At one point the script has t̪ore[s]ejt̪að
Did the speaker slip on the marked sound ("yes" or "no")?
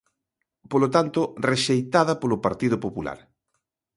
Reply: yes